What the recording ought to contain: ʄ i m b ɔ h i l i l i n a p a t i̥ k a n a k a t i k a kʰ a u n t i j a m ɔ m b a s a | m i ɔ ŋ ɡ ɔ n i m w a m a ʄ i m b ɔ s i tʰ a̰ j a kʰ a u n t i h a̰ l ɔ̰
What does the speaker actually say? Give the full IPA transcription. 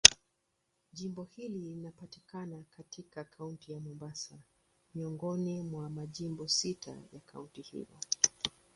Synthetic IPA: ʄ i m b ɔ h i l i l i n a p a t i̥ k a n a k a t i k a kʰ a u n t i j a m ɔ m b a s a | m i ɔ ŋ ɡ ɔ n i m w a m a ʄ i m b ɔ s i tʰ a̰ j a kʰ a u n t i h ḭ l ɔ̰